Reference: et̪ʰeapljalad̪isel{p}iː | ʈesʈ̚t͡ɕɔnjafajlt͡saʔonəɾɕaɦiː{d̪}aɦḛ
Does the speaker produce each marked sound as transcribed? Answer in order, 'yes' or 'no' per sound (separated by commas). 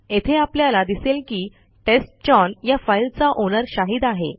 no, yes